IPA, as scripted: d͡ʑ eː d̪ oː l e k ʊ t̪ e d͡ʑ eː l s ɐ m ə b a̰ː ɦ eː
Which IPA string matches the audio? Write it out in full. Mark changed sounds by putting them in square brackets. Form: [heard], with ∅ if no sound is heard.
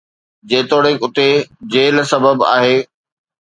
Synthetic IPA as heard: d͡ʑ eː [t̪] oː [ɽ] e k ʊ t̪ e d͡ʑ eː l s ɐ [b] ə b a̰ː ɦ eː